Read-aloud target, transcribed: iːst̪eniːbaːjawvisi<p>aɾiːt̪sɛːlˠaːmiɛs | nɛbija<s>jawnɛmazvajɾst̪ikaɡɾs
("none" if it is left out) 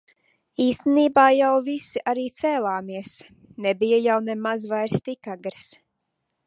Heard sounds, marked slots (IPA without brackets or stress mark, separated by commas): ʔ, none